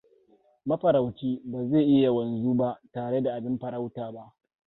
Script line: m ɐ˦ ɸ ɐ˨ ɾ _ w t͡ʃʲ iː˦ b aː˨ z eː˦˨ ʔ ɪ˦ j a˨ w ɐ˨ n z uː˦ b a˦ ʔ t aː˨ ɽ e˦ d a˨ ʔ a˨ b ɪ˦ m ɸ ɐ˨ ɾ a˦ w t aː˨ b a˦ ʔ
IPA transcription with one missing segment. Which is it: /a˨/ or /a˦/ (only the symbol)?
a˨